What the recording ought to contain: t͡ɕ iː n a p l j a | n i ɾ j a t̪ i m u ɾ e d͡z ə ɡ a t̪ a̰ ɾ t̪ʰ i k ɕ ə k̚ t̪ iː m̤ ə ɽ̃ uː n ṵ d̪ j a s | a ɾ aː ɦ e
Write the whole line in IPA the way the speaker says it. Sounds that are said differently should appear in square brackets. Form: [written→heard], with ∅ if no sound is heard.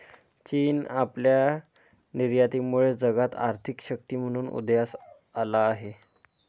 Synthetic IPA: t͡ɕ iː n a p l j a | n i ɾ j a t̪ i m u [ɾ→ɭ] e d͡z ə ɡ a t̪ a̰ ɾ t̪ʰ i k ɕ ə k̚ t̪ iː m̤ ə ɽ̃ uː n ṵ d̪ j a s | a [ɾ→l] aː ɦ e